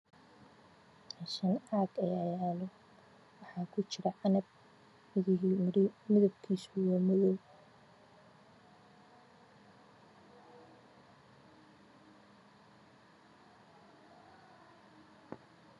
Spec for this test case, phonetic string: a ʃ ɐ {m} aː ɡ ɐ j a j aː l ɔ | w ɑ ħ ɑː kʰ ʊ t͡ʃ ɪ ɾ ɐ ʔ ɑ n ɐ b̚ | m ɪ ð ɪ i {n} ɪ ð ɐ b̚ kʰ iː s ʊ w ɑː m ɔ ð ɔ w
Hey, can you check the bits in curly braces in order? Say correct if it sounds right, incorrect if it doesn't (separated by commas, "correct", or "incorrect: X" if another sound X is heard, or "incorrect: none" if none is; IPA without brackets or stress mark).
incorrect: n, incorrect: m